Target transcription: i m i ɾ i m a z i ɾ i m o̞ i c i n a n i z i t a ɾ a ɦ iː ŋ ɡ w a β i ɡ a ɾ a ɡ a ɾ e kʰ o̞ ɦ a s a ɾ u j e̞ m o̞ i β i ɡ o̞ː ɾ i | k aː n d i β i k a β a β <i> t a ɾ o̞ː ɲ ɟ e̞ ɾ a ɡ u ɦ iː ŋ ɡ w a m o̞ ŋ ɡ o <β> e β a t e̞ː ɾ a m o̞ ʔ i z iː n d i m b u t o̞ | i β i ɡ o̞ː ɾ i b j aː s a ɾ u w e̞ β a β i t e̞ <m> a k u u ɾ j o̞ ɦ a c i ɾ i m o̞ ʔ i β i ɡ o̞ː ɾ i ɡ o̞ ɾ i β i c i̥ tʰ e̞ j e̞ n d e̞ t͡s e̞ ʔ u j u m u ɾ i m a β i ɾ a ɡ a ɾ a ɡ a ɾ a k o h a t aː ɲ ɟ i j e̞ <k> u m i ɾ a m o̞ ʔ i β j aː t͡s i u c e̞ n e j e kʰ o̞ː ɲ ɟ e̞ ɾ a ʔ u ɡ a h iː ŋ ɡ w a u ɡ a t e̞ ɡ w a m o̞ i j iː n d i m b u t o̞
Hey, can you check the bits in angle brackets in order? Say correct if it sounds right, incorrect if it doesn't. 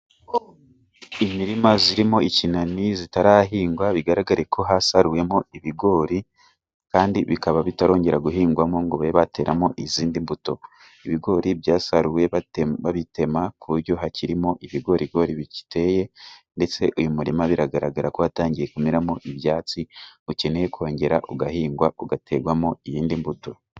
correct, correct, correct, correct

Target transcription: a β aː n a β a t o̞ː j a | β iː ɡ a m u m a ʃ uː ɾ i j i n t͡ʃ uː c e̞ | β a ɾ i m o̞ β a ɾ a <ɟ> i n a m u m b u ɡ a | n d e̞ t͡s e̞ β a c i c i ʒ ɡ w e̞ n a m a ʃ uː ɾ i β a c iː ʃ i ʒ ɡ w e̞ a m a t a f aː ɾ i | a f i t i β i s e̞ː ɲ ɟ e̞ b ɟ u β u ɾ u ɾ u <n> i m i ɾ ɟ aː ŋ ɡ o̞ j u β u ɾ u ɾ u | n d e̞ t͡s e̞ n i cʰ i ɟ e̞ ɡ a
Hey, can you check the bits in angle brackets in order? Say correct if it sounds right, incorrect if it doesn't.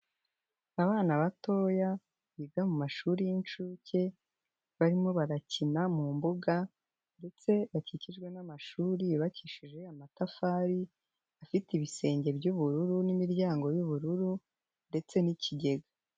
incorrect, correct

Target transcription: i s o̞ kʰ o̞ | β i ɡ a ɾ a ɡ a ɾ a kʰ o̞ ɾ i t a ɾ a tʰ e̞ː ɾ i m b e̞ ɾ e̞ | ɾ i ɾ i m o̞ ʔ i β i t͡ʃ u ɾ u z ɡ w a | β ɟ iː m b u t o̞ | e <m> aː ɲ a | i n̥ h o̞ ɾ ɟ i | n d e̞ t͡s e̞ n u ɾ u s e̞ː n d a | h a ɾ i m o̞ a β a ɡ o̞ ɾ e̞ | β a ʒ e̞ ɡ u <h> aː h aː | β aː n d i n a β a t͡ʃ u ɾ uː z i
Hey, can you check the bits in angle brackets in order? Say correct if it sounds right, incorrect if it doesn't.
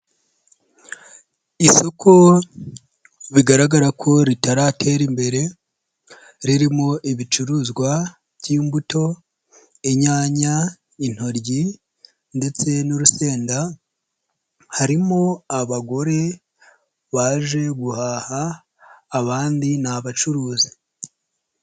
incorrect, correct

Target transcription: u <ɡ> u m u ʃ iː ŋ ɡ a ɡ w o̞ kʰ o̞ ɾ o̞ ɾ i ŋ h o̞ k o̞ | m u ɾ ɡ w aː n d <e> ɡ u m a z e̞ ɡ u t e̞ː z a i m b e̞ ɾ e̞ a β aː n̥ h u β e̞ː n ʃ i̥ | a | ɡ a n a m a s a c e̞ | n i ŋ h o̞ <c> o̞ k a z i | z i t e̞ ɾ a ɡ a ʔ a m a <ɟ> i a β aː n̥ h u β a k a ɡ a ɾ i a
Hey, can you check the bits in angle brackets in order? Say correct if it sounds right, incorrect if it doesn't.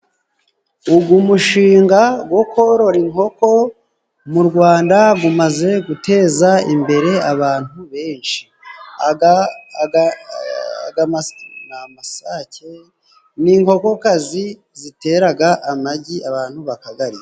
correct, incorrect, incorrect, correct

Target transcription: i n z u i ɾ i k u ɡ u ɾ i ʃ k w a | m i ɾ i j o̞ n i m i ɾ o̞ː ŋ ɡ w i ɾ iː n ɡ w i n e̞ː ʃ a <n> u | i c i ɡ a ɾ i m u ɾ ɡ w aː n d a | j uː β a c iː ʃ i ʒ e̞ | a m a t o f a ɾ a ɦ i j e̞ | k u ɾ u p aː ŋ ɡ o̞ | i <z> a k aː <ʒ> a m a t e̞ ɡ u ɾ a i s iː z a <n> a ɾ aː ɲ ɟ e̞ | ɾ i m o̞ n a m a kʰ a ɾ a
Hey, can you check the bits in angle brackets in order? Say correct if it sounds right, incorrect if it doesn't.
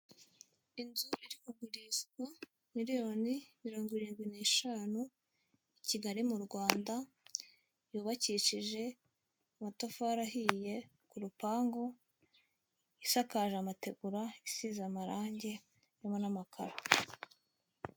correct, incorrect, correct, incorrect

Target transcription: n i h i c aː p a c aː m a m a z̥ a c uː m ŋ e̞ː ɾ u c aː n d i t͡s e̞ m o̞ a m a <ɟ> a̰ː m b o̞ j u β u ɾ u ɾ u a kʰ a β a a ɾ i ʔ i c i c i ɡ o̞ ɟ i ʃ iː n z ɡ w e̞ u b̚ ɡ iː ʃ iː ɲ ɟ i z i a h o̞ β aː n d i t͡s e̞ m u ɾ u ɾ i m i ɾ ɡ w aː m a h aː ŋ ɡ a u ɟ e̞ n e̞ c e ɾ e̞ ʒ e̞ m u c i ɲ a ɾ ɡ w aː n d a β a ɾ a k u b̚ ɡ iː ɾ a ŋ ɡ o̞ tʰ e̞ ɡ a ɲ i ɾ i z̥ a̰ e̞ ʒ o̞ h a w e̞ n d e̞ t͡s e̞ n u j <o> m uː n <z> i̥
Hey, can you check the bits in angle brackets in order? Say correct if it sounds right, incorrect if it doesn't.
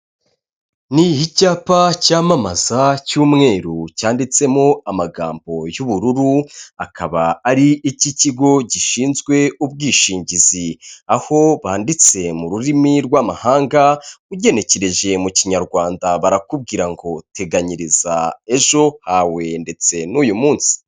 incorrect, incorrect, incorrect

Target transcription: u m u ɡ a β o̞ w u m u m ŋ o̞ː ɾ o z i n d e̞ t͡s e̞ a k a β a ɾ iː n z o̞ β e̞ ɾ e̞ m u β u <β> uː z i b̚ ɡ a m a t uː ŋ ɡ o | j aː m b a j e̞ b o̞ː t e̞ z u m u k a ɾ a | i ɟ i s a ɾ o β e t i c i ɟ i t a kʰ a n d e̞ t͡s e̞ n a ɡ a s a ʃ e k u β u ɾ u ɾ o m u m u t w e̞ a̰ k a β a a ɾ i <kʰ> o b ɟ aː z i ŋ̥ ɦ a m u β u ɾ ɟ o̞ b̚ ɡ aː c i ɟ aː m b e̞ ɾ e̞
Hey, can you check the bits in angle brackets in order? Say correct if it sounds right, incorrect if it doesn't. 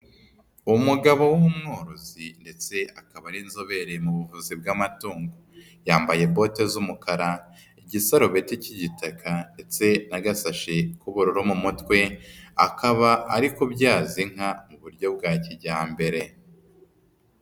incorrect, incorrect

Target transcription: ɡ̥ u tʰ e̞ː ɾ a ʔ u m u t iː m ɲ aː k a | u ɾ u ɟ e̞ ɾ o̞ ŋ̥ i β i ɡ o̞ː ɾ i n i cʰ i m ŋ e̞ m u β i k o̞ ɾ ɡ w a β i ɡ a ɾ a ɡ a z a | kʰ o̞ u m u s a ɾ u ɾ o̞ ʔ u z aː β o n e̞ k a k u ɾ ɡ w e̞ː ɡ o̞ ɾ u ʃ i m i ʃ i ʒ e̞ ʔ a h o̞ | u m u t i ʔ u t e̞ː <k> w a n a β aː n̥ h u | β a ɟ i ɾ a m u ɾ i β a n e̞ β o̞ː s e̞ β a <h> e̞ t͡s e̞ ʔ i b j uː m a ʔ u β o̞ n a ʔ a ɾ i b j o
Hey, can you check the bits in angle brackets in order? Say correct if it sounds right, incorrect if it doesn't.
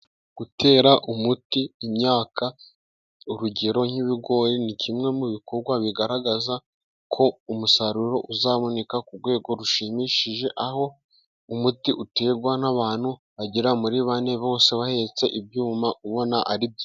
incorrect, correct

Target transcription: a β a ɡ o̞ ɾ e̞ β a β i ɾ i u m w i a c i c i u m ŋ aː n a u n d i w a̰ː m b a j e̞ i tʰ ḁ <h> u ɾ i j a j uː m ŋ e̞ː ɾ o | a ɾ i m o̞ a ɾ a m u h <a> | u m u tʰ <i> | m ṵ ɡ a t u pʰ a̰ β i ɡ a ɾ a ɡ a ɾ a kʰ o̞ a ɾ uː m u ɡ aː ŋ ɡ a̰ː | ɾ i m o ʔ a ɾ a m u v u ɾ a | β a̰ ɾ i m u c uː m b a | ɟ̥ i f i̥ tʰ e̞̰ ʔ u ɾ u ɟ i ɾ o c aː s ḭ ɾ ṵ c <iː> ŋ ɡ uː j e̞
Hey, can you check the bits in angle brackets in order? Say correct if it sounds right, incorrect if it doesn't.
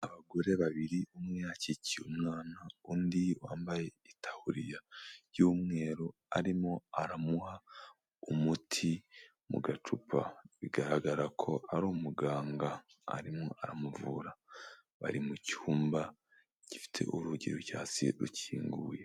correct, correct, correct, correct

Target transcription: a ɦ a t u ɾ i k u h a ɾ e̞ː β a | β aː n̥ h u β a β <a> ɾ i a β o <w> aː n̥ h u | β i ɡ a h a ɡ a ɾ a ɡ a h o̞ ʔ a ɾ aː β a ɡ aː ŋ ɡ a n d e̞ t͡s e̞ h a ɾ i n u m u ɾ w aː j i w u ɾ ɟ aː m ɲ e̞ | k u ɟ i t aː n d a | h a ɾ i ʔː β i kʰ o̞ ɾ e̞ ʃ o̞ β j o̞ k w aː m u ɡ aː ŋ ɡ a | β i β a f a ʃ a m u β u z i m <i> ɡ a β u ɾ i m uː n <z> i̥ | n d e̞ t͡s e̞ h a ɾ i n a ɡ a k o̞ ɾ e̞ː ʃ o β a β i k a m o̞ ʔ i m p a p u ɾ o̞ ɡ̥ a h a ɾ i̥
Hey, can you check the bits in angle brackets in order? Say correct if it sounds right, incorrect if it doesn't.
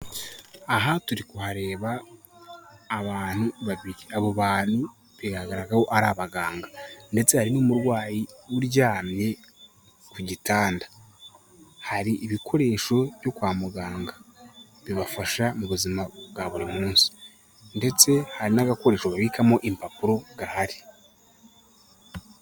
incorrect, incorrect, incorrect, incorrect

